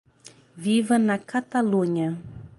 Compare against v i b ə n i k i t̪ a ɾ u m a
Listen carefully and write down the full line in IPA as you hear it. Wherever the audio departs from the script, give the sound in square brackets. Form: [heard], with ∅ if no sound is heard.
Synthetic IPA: v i [v] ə n [a] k [a] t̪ a [l] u [ɲ] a